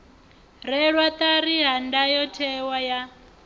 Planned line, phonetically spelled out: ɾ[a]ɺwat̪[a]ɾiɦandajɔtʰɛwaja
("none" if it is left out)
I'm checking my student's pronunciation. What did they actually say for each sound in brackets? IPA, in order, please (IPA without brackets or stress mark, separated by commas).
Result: ɛ, a